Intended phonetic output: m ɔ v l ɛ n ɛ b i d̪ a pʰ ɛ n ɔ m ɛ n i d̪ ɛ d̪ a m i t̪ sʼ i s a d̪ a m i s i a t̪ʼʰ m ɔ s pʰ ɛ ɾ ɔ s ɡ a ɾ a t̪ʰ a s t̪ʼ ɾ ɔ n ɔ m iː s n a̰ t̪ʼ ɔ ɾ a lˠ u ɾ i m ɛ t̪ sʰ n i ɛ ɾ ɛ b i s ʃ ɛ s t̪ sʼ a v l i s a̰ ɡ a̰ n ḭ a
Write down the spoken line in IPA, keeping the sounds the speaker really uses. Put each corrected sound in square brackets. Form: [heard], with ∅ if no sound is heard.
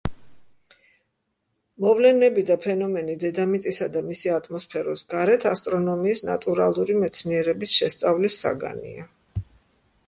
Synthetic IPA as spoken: m ɔ v l ɛ n ɛ b i d̪ a pʰ ɛ n ɔ m ɛ n i d̪ ɛ d̪ a m i t̪ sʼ i s a d̪ a m i s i a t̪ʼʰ m ɔ s pʰ ɛ ɾ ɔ s ɡ a ɾ [ɛ] t̪ʰ a s t̪ʼ ɾ ɔ n ɔ m iː s n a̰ t̪ʼ [u] ɾ a lˠ u ɾ i m ɛ t̪ sʰ n i ɛ ɾ ɛ b i s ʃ ɛ s t̪ sʼ a v l i s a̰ ɡ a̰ n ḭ a